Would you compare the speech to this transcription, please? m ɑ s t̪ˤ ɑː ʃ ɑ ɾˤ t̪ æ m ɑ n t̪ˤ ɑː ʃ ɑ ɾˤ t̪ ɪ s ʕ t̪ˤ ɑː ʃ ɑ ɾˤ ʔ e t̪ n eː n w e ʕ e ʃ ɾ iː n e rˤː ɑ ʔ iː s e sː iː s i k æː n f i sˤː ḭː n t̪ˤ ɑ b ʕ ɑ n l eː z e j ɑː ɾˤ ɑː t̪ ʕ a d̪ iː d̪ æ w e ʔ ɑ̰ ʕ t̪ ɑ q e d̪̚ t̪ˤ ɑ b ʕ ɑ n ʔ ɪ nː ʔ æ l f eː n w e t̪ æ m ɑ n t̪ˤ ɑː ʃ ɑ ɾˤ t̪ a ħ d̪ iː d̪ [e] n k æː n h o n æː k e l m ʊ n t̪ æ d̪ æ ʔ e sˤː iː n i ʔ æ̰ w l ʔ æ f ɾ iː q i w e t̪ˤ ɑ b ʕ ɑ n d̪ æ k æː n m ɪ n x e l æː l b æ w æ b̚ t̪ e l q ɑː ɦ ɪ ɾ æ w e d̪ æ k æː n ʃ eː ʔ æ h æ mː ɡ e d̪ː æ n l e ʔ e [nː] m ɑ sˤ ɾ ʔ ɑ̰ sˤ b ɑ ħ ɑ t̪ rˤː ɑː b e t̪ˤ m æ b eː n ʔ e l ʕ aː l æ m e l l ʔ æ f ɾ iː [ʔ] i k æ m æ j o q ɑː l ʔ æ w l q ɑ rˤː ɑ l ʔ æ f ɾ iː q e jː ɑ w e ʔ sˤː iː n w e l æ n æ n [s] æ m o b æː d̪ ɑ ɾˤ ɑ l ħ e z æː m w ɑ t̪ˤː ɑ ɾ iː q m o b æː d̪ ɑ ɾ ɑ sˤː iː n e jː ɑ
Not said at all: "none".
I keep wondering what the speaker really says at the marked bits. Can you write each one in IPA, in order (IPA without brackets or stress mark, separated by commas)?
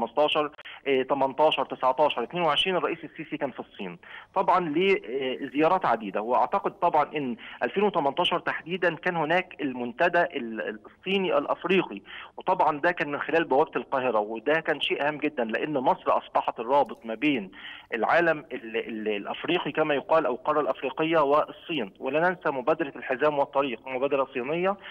æ, nː, q, s